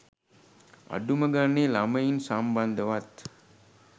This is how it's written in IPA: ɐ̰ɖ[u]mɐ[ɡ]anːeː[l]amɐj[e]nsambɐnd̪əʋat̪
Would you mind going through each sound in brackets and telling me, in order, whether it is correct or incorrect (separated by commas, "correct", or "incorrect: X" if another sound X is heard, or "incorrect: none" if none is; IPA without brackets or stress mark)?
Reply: correct, correct, correct, incorrect: i